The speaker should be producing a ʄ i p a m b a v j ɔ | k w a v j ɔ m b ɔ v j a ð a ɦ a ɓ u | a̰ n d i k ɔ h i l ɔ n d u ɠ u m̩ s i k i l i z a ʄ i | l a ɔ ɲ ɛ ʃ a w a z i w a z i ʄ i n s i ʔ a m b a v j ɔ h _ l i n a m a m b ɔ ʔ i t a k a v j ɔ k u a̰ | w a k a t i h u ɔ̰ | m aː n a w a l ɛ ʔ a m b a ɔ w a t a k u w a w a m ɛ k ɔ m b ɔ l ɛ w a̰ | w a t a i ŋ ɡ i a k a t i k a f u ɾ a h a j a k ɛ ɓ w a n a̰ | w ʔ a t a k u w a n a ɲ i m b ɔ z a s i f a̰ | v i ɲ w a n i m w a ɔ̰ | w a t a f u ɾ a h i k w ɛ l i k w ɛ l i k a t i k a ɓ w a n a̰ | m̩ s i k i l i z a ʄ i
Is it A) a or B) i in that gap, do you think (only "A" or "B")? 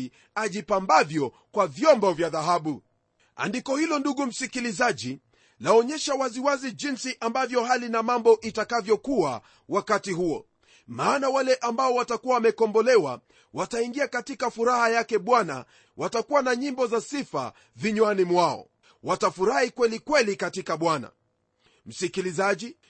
A